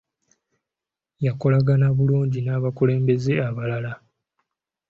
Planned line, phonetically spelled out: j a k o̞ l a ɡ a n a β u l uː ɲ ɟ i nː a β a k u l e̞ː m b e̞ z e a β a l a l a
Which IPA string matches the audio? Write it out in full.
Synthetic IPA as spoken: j a k o̞ l a ɡ a n a β u l uː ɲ ɟ i n a β a k u l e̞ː m b e̞ z e a β a l a l a